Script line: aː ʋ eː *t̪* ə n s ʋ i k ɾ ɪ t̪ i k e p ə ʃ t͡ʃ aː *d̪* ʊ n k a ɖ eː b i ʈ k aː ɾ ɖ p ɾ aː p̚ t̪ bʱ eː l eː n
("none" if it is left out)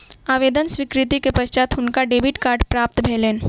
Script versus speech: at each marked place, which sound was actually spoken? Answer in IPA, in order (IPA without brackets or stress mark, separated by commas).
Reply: d̪, t̪